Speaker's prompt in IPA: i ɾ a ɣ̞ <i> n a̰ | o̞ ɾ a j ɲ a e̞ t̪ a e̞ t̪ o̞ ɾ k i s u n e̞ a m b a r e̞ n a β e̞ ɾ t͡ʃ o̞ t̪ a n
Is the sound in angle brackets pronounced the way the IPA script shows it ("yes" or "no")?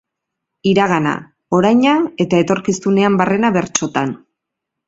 no